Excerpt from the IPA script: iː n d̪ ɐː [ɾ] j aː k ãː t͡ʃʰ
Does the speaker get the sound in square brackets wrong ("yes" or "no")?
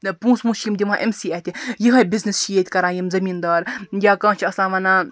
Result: no